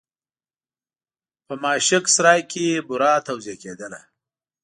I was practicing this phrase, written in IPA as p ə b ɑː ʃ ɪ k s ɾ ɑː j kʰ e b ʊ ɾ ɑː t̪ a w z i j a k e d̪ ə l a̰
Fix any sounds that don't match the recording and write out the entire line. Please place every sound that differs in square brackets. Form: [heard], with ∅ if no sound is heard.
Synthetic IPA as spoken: p ə [m] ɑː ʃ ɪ k s ɾ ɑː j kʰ e b ʊ ɾ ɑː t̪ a w z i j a k e d̪ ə l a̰